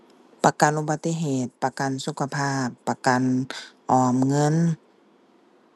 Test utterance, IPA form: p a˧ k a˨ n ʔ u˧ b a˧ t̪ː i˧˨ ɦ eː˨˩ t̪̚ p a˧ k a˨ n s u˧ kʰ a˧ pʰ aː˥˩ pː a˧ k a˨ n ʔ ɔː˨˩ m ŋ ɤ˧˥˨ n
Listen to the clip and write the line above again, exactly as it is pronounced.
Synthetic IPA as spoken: p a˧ k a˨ n ʔ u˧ b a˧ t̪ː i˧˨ ɦ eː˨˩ t̪̚ p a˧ k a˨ n s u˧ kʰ a˧ pʰ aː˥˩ pː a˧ k a˨ n ʔ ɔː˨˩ m ŋ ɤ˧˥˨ n